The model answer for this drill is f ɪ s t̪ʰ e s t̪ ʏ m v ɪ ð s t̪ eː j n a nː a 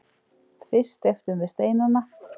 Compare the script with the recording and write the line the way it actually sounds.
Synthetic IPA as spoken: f ɪ s t̪ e f t̪ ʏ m v ɪ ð s t̪ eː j n a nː a